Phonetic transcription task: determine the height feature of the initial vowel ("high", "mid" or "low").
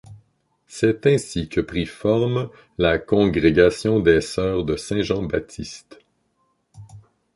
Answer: mid